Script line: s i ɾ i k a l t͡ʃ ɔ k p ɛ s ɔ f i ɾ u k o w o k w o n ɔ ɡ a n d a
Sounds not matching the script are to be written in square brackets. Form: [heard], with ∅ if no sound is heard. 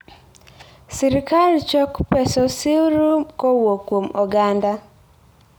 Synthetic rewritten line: s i ɾ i k a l t͡ʃ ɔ k p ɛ s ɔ [s] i ɾ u k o w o k w o [m] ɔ ɡ a n d a